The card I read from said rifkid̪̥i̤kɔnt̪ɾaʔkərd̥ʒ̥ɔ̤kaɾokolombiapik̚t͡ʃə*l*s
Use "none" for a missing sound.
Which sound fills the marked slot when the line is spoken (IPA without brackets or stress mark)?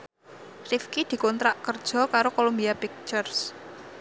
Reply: r